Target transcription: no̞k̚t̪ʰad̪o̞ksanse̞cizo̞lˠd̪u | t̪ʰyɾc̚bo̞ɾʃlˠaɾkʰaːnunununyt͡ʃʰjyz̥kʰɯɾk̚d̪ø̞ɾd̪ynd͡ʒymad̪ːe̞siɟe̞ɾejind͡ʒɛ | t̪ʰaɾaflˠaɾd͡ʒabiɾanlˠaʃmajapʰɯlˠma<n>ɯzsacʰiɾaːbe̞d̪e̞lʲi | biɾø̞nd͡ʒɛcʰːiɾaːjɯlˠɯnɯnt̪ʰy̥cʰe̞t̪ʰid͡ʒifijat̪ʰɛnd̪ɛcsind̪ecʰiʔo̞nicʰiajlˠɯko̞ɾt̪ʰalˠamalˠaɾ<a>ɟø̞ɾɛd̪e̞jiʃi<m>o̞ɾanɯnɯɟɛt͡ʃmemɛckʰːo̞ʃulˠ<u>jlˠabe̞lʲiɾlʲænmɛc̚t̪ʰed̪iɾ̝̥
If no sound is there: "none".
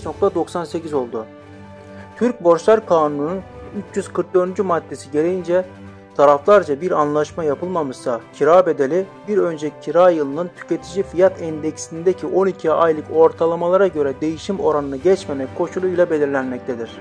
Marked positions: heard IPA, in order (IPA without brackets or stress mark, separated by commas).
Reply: m, a, m, u